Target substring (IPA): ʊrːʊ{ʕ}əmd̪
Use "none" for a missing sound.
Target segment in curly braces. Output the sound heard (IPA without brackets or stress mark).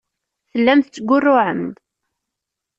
ʕ